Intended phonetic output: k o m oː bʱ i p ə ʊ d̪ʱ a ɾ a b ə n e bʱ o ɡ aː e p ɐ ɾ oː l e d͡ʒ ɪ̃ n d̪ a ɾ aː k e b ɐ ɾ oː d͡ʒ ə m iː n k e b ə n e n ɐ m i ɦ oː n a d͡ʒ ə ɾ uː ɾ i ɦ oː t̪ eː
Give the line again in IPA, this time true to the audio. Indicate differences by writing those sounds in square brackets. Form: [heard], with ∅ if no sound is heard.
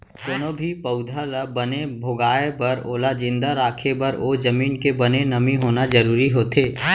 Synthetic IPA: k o [n] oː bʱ i p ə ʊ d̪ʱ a [l] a b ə n e bʱ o ɡ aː e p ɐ ɾ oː l [a] d͡ʒ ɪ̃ n d̪ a ɾ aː [kʰ] e b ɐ ɾ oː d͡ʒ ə m iː n k e b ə n e n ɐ m i ɦ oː n a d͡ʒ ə ɾ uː ɾ i ɦ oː t̪ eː